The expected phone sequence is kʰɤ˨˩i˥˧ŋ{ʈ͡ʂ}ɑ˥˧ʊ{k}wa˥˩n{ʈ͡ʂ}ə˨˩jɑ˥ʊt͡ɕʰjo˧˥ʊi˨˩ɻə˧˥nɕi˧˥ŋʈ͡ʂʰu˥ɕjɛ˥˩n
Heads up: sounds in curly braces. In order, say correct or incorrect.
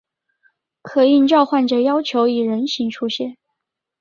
correct, incorrect: x, correct

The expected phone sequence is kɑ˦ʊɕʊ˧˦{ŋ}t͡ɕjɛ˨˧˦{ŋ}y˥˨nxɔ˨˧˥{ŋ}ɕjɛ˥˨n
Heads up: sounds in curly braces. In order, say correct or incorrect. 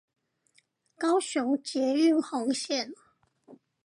correct, incorrect: none, correct

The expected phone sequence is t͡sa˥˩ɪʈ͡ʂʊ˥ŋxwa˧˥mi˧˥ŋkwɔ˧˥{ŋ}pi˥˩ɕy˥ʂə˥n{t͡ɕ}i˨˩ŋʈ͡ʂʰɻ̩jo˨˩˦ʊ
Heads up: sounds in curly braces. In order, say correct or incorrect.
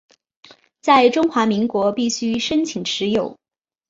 incorrect: none, incorrect: t͡ɕʰ

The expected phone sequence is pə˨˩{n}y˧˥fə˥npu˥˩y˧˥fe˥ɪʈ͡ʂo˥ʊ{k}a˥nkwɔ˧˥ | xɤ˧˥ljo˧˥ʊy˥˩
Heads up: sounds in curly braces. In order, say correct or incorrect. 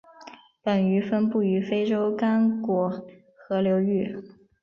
correct, correct

